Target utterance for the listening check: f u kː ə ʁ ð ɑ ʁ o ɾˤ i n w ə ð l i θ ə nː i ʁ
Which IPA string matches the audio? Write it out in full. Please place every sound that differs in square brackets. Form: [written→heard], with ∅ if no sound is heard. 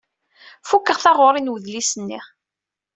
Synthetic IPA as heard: f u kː ə ʁ [ð→θ] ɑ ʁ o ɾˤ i n w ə ð l i [θ→s] ə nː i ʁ